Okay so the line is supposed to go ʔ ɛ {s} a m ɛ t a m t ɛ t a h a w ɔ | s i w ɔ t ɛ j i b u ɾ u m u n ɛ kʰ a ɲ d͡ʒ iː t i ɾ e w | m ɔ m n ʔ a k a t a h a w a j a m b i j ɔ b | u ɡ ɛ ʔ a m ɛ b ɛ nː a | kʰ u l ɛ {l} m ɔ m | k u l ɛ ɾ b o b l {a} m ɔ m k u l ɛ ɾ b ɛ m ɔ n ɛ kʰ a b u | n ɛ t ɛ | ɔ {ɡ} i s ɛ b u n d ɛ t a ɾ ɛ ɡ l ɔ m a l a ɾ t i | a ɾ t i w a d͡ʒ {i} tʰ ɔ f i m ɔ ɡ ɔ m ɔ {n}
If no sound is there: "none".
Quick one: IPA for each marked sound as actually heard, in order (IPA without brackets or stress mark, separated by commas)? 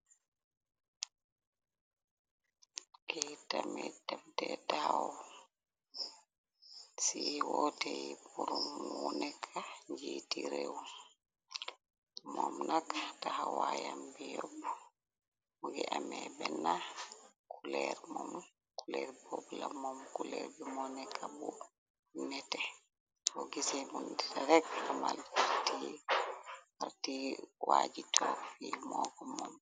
t, ɾ, a, ɡ, i, m